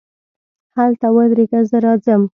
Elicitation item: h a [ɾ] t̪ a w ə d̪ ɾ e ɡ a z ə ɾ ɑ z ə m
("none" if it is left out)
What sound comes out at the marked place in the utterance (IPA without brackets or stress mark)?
l